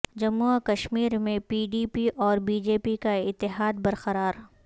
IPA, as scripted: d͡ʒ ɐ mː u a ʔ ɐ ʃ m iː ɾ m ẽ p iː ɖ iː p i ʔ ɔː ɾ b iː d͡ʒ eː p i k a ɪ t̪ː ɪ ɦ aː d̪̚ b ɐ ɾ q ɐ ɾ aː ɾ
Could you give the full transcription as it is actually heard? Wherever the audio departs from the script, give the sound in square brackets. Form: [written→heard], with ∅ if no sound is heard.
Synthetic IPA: d͡ʒ ɐ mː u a [ʔ→k] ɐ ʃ m iː ɾ m ẽ p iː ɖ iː p i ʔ ɔː ɾ b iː d͡ʒ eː p i k a ɪ t̪ː ɪ ɦ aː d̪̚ b ɐ ɾ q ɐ ɾ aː ɾ